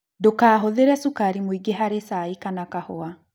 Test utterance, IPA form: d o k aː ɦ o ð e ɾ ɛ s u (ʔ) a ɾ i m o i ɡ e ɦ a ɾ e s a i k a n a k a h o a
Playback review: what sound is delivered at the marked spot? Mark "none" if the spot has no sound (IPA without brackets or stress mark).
k